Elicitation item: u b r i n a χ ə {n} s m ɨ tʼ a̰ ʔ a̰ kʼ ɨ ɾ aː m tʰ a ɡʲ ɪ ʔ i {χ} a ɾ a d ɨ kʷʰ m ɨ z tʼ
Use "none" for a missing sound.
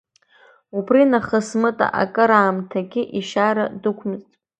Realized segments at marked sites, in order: none, ʃ

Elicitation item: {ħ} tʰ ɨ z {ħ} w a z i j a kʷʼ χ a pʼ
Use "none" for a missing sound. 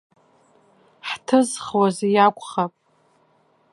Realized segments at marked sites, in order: ħ, χ

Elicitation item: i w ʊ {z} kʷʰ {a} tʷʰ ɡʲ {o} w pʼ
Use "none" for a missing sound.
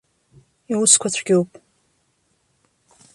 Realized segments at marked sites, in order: s, a, o

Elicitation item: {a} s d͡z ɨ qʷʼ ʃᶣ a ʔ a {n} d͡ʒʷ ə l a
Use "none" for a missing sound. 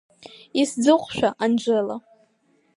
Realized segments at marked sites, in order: i, n

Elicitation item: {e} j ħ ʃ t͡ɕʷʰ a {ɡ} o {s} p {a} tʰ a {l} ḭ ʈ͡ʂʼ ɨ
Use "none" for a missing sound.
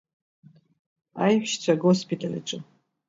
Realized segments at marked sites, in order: a, ɡ, s, i, l

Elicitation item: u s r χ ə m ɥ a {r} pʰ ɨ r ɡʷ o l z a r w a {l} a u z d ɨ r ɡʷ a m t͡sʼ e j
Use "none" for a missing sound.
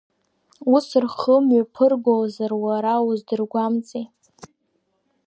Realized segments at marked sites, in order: none, ɾ

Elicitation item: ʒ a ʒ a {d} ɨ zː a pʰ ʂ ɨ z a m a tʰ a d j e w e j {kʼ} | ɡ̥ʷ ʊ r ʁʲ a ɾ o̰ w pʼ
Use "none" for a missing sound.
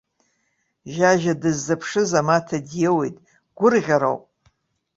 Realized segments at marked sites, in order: d, tʼ

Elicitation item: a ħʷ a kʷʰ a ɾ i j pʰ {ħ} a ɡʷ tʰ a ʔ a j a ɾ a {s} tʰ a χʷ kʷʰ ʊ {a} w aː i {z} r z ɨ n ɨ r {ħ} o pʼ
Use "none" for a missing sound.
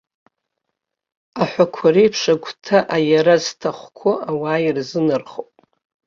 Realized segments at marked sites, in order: ʂ, z, a, none, χ

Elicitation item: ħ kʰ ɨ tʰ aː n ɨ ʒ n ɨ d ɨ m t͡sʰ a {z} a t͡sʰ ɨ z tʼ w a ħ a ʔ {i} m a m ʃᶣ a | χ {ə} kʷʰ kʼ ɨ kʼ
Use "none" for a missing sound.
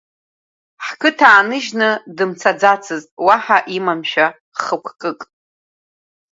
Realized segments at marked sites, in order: d͡z, i, ə

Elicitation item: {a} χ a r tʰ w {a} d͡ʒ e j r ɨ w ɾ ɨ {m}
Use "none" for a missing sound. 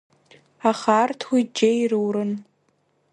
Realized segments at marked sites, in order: a, i, n

